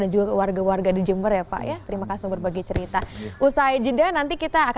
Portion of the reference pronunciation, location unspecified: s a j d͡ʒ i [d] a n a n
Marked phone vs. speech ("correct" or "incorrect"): correct